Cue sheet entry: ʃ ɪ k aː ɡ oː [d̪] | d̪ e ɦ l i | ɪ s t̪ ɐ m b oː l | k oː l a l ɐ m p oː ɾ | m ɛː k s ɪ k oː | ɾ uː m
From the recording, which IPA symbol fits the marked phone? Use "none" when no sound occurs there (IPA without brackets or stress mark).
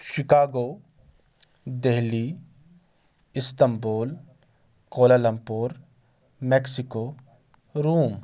none